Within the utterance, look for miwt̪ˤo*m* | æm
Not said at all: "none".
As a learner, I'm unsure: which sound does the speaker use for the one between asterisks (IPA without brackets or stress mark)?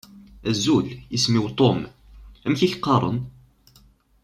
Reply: m